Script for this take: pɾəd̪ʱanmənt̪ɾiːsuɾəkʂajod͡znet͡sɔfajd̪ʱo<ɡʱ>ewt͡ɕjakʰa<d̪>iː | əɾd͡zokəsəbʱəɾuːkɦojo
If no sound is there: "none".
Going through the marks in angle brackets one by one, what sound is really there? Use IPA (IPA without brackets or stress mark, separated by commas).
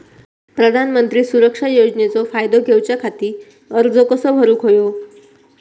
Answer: ɡʱ, t̪